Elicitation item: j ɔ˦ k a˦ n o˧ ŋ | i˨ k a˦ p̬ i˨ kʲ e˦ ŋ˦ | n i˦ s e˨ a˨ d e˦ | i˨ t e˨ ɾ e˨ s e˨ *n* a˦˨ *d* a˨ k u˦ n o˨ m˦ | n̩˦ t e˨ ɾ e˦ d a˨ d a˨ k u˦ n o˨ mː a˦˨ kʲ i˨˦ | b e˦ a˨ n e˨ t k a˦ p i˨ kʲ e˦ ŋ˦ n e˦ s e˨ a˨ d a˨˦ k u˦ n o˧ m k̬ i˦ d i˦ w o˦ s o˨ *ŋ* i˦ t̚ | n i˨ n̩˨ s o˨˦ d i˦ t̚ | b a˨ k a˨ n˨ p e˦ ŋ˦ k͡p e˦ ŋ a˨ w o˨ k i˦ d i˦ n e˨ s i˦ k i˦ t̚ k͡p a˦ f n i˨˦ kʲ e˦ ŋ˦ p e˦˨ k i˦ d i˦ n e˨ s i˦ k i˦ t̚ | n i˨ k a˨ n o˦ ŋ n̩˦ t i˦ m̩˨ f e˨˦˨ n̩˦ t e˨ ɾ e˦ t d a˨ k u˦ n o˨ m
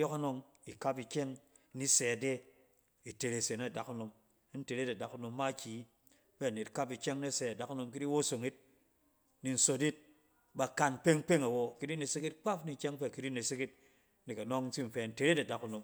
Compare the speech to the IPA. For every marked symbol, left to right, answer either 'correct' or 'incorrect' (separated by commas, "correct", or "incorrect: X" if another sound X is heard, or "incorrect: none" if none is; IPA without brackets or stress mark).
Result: correct, correct, correct